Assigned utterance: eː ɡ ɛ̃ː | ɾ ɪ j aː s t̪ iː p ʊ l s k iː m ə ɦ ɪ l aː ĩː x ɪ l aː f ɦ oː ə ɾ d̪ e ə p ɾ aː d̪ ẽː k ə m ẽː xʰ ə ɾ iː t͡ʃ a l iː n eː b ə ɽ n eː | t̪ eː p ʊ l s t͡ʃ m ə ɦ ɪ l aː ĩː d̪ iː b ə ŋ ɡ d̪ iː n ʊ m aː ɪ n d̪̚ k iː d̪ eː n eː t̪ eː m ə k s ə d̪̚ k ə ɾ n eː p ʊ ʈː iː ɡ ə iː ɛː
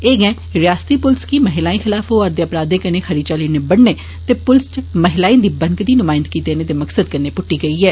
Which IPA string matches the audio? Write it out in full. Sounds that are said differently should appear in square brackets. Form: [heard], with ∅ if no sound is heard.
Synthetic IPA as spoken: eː ɡ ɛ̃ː | ɾ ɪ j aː s t̪ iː p ʊ l s k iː m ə ɦ ɪ l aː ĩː x ɪ l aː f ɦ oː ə ɾ d̪ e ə p ɾ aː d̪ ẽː k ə [n] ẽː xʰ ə ɾ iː t͡ʃ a l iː n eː b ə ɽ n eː | t̪ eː p ʊ l s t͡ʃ m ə ɦ ɪ l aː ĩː d̪ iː b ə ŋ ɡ d̪ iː n ʊ m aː ɪ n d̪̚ k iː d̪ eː n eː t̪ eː m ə k s ə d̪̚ k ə ɾ n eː p ʊ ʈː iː ɡ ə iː ɛː